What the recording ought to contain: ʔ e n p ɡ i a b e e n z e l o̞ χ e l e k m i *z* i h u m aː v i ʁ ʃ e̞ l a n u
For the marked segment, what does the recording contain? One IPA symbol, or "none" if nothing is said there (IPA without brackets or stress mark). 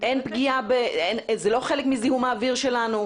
z